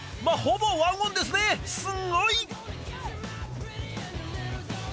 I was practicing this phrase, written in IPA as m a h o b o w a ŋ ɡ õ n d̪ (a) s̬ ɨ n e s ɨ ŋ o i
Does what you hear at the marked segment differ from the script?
yes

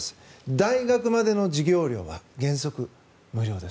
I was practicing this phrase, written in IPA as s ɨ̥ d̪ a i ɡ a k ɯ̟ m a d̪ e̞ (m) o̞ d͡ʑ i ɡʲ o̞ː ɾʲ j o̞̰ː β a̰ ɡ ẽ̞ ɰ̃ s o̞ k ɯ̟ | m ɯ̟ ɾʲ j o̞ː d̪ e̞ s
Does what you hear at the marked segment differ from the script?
yes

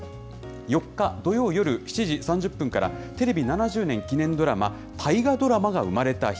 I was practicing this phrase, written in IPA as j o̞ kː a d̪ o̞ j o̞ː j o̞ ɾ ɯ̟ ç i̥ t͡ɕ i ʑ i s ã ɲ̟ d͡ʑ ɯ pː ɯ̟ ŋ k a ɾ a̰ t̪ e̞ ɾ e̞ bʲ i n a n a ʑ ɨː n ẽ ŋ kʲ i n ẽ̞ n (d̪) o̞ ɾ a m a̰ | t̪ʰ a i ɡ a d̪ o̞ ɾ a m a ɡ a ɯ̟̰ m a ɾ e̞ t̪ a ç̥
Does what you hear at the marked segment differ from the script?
no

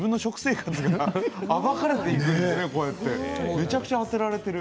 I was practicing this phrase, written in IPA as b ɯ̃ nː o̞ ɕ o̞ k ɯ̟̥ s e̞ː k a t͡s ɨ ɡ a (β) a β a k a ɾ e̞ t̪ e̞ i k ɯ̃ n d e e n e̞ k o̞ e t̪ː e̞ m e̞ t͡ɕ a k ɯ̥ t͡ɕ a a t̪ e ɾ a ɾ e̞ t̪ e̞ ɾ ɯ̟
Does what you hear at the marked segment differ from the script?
yes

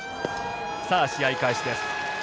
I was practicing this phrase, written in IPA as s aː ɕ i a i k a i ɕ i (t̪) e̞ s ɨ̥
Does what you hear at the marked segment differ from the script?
yes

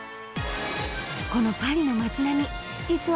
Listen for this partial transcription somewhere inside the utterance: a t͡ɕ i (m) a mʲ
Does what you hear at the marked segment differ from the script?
yes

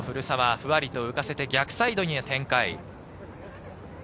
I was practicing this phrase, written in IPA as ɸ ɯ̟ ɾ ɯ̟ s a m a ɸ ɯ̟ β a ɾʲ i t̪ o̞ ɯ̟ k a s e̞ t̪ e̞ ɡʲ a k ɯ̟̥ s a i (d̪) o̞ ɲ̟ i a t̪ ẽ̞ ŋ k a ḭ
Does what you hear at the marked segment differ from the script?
no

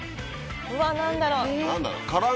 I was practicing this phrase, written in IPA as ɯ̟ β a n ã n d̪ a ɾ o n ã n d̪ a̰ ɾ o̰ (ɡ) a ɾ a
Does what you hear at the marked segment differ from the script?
yes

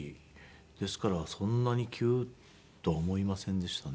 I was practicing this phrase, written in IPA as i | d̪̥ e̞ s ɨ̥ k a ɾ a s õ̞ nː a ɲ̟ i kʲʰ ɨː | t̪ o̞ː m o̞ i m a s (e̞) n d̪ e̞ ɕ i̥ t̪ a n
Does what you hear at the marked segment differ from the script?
yes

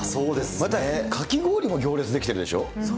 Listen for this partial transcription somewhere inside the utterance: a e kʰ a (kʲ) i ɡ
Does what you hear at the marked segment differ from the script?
no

